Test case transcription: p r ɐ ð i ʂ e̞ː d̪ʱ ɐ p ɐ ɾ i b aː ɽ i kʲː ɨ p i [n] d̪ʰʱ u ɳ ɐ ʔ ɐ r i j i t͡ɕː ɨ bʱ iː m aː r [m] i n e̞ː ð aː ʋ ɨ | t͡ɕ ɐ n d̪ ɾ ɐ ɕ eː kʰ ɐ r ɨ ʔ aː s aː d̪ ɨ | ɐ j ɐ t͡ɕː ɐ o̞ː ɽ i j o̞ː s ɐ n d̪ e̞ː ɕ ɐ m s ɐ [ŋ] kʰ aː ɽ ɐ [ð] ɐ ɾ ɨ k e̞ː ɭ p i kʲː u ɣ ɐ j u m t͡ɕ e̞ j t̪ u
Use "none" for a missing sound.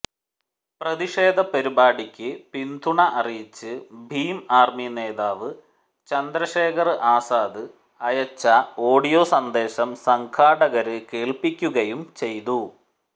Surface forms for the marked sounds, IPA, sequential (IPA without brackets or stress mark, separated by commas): n, m, ŋ, ɣ